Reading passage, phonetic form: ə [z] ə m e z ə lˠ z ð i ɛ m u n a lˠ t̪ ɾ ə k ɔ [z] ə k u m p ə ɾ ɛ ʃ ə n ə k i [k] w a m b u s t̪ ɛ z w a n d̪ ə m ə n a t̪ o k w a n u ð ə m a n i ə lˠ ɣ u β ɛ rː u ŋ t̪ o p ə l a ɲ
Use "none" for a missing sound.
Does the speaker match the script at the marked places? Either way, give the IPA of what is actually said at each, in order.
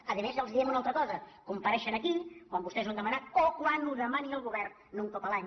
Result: ð, z, k

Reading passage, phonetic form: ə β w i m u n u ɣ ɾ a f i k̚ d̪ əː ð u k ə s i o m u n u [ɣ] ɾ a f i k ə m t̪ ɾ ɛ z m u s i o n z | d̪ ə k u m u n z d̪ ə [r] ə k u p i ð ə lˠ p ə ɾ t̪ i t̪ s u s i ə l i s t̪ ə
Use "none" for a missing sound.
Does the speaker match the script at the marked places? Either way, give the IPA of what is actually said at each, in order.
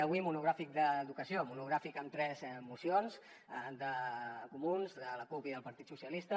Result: ɣ, l

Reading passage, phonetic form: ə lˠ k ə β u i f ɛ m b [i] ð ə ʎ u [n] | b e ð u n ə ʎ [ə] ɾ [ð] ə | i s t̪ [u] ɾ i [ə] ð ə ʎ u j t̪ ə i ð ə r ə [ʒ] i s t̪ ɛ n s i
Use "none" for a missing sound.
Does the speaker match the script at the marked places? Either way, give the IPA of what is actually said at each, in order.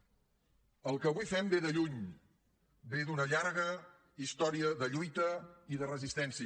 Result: e, ɲ, a, ɣ, ɔ, ə, z

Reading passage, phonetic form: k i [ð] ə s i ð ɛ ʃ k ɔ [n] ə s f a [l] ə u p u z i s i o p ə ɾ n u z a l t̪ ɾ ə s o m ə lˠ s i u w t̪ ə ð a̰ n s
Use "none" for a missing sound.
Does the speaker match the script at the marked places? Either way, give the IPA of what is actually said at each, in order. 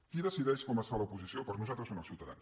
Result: ð, m, l

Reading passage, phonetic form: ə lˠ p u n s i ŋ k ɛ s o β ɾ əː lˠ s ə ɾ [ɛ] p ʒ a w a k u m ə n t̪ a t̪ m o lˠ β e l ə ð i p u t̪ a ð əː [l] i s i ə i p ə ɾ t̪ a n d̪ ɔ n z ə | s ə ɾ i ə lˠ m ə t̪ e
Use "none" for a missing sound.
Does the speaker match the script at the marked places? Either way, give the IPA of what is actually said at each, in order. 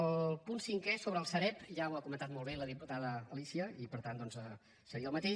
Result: ɛ, l

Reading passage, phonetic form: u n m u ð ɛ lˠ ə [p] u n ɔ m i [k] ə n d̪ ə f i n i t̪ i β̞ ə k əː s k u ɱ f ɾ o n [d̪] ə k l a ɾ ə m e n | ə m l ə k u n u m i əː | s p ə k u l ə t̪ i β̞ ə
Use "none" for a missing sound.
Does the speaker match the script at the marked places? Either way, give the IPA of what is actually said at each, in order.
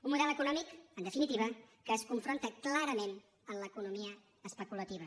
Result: k, k, t̪

